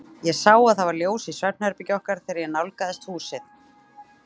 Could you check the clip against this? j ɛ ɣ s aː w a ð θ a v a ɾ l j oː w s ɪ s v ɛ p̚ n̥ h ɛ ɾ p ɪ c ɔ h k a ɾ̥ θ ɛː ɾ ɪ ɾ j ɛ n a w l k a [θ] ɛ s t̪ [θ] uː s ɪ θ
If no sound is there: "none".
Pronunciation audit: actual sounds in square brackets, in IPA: ð, h

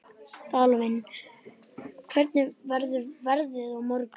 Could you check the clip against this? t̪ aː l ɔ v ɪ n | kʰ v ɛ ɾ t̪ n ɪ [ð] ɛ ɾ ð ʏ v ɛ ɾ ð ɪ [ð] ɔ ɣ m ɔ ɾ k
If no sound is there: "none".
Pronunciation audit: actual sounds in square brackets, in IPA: v, ð

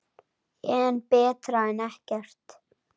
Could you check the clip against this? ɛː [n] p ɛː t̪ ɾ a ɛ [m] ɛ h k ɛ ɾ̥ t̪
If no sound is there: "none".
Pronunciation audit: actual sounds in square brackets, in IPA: n, n

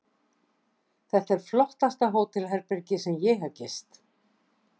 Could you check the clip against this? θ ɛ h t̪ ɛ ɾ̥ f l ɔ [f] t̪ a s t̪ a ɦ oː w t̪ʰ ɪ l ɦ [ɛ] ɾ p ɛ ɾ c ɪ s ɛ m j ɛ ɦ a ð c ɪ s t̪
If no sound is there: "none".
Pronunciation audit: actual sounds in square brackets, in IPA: h, ɛ

